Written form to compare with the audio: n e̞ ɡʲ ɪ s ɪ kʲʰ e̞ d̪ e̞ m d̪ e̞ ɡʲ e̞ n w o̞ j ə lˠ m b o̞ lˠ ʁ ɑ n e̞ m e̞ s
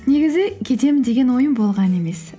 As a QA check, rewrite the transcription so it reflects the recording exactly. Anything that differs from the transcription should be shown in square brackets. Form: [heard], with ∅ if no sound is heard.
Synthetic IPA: n e̞ ɡʲ ɪ [z] ɪ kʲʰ e̞ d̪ e̞ m d̪ e̞ ɡʲ e̞ n w o̞ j ə [∅] m b o̞ lˠ ʁ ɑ n e̞ m e̞ s